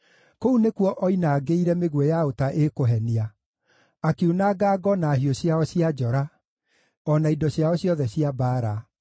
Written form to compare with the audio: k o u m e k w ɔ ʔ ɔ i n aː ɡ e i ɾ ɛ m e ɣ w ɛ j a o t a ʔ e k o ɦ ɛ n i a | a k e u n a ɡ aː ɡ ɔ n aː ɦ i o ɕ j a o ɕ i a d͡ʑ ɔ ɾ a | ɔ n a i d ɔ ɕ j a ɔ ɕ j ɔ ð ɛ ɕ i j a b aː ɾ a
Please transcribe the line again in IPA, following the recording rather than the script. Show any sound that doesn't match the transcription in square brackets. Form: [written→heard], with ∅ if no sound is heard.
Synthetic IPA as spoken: k o u [m→n] e k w ɔ ʔ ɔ i n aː ɡ e i ɾ ɛ m e ɣ w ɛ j a o t a ʔ e k o ɦ ɛ n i a | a k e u n a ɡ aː ɡ ɔ n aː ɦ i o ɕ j a [o→ɔ] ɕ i a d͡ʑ ɔ ɾ a | ɔ n a i d ɔ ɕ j a ɔ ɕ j ɔ ð ɛ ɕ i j a b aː ɾ a